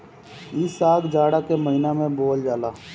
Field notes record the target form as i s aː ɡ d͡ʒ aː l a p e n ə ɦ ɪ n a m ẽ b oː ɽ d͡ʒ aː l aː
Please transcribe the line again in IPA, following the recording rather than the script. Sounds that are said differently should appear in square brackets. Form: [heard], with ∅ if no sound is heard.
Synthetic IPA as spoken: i s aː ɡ d͡ʒ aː [ɽ] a [k] e [m] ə ɦ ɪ n a m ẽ b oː [l] d͡ʒ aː l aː